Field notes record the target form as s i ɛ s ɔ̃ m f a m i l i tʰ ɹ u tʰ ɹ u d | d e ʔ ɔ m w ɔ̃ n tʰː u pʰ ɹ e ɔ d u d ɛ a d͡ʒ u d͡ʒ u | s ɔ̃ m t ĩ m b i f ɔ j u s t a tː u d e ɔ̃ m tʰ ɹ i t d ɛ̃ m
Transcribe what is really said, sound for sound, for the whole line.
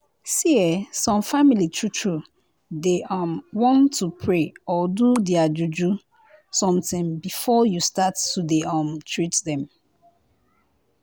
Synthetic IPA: s i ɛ s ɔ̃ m f a m i l i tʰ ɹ u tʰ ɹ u | d e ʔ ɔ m w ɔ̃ n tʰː u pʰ ɹ e ɔ d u d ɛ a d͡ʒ u d͡ʒ u | s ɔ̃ m t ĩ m b i f ɔ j u s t a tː u d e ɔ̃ m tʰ ɹ i t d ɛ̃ m